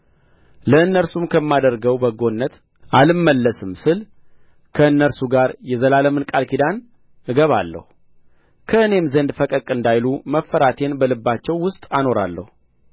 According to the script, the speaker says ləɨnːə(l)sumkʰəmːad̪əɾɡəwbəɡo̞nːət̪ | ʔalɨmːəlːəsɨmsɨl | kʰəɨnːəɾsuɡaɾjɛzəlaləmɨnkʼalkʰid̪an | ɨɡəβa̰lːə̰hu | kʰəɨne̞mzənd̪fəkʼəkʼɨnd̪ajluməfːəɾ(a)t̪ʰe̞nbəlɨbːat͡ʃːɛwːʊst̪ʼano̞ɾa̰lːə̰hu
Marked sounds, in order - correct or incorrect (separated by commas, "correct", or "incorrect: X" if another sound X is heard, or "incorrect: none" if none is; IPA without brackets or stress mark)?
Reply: incorrect: ɾ, correct